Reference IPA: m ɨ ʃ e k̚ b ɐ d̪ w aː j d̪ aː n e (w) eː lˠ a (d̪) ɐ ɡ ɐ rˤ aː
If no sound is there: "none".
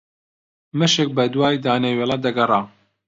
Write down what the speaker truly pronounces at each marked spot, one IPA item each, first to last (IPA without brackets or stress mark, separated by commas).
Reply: w, d̪